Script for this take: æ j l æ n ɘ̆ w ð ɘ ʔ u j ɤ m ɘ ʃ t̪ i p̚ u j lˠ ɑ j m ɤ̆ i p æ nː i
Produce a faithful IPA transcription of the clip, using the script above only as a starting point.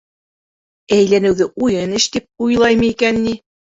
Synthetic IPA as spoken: æ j l æ n ɘ̆ w ð ɘ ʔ u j ɤ n ɘ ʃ t̪ i p̚ u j lˠ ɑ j m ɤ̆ i k æ nː i